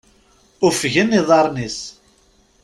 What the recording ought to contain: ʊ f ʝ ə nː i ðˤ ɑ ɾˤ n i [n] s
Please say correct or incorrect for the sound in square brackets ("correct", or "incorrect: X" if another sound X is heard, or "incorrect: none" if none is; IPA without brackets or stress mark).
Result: incorrect: none